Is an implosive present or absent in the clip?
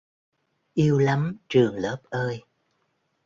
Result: absent